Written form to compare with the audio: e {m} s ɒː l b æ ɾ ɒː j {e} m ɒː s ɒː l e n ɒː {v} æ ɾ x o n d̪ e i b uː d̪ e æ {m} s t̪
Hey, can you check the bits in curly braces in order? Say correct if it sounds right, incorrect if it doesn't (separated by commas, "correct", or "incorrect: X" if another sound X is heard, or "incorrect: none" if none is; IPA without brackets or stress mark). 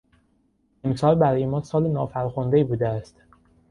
correct, correct, incorrect: f, incorrect: none